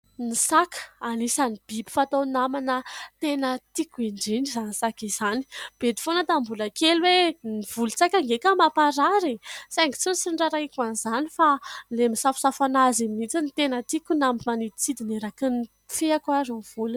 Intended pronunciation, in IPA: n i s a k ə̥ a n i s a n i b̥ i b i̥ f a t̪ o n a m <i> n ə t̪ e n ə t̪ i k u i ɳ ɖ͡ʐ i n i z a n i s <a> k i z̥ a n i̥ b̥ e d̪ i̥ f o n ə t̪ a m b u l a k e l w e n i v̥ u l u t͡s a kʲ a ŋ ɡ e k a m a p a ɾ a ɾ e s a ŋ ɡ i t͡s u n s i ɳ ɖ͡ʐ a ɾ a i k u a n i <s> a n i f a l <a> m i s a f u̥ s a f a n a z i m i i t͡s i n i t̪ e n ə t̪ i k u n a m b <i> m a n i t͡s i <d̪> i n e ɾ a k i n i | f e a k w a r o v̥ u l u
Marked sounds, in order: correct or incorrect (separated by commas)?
incorrect, correct, incorrect, incorrect, correct, correct